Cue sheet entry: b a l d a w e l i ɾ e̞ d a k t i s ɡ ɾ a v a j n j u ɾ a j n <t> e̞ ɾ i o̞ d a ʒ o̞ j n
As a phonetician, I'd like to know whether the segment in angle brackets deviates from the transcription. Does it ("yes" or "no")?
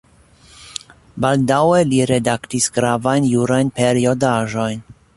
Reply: yes